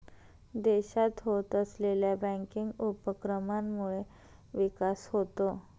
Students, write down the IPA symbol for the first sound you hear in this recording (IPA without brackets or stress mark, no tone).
d̪